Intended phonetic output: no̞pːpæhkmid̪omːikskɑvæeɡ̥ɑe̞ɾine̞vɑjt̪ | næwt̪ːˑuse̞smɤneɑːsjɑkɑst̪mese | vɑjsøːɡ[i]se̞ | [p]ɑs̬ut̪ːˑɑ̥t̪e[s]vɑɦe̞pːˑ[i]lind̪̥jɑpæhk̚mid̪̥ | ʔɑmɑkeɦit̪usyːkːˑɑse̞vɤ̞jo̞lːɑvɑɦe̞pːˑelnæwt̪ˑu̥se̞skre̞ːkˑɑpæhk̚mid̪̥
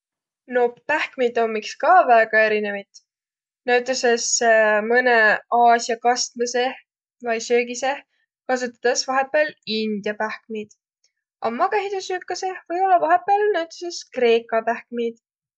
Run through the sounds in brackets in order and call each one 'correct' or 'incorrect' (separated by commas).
correct, incorrect, correct, incorrect